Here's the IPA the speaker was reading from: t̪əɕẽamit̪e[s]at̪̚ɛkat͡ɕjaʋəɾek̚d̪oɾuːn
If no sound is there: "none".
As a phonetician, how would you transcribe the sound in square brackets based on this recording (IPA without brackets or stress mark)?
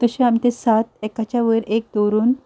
s